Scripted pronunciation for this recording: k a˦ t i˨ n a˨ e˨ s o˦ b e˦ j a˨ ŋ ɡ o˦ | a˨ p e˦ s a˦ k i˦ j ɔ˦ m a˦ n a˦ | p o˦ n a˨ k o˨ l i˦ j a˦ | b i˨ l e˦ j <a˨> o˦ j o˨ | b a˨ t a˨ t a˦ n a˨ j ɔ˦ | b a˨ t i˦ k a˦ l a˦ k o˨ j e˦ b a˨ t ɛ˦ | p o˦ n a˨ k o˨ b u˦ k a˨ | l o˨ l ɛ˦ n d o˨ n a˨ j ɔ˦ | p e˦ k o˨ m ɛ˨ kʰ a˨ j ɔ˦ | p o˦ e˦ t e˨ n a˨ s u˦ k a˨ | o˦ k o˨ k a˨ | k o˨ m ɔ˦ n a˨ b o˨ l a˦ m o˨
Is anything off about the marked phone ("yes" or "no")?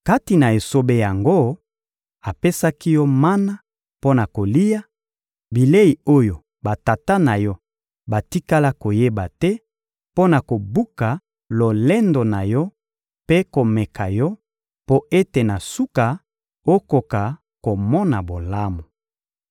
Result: yes